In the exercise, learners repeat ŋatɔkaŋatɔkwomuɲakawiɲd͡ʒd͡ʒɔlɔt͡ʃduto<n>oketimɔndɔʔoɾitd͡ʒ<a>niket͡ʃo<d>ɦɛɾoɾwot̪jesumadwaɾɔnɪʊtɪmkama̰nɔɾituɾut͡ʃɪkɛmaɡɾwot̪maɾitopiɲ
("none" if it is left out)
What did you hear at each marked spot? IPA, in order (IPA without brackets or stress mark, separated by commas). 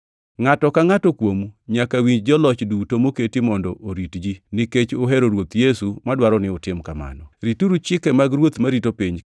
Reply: m, i, none